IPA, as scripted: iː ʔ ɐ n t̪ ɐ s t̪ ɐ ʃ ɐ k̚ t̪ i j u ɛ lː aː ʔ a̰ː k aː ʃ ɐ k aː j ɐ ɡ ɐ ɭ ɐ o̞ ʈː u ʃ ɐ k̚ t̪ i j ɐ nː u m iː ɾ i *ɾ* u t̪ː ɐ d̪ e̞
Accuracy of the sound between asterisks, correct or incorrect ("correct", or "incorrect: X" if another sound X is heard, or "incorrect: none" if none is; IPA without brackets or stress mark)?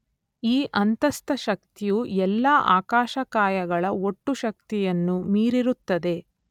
correct